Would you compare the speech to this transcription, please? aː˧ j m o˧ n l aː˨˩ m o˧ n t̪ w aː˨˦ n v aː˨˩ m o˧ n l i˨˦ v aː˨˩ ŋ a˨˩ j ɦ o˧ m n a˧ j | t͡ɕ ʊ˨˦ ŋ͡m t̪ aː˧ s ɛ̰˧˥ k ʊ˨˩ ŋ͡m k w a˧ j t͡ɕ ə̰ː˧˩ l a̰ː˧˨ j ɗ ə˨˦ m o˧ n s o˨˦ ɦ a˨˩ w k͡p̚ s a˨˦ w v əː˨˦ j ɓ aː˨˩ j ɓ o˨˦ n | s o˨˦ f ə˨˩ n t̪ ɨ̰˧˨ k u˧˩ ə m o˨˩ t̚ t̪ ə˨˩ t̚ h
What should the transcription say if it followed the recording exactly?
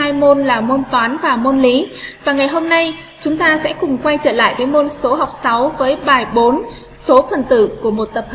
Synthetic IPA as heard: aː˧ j m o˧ n l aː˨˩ m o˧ n t̪ w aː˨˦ n v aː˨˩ m o˧ n l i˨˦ v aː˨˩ ŋ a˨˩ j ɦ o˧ m n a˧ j | t͡ɕ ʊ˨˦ ŋ͡m t̪ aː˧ s ɛ̰˧˥ k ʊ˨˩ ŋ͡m k w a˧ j t͡ɕ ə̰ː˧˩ l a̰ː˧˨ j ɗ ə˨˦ m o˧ n s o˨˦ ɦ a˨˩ w k͡p̚ s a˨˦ w v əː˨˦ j ɓ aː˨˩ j ɓ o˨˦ n | s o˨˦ f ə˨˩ n t̪ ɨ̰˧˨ k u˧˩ ə m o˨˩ t̚ t̪ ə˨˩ p̚ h